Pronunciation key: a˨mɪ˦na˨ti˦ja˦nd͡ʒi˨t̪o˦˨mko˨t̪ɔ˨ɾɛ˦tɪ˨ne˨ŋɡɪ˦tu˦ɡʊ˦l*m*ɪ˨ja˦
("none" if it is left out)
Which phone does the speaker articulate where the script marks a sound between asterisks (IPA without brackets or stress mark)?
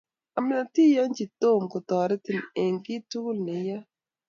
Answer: n